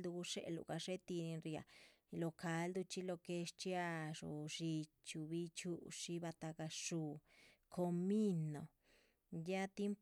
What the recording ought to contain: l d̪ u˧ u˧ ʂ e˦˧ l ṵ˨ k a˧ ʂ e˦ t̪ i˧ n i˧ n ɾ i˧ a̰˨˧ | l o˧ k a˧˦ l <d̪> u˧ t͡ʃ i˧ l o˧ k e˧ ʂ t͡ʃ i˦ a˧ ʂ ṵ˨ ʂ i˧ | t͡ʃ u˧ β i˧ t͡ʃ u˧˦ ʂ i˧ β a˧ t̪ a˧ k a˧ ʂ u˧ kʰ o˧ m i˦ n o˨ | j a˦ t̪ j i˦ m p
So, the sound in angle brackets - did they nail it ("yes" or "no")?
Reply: yes